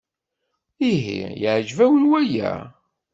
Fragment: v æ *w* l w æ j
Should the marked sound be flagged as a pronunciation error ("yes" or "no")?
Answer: no